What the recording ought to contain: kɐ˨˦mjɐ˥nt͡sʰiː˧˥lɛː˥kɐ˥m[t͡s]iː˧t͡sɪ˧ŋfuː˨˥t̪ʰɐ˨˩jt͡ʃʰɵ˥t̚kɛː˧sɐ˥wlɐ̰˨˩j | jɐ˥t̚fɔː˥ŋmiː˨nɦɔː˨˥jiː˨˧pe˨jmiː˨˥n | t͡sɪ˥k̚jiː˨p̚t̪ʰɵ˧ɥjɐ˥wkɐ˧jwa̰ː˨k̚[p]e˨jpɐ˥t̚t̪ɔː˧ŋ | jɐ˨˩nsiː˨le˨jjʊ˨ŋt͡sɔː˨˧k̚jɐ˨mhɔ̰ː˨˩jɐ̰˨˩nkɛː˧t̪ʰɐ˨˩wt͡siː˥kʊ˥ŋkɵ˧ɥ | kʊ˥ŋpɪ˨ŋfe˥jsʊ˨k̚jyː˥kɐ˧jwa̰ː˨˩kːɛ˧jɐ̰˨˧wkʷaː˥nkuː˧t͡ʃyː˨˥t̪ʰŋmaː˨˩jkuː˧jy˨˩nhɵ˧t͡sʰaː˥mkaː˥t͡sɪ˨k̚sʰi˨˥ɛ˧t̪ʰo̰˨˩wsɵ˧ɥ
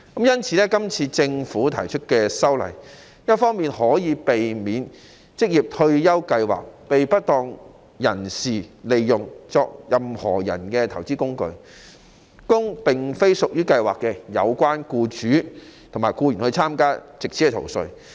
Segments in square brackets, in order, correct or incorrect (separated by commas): incorrect, correct